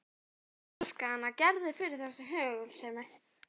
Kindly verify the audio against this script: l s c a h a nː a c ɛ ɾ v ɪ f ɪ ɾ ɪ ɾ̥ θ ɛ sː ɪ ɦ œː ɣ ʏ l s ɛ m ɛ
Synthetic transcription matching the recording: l s k a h a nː a c ɛ ɾ ð ɪ f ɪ ɾ ɪ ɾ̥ θ ɛ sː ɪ ɦ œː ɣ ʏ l s ɛ m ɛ